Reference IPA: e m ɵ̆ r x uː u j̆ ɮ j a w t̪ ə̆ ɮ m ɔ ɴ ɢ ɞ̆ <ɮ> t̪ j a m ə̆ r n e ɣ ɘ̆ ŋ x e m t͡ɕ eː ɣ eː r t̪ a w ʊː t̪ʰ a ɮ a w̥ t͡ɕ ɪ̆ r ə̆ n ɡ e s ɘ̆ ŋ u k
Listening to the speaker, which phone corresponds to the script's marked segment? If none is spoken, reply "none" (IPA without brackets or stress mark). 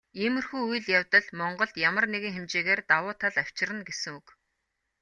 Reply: ɮ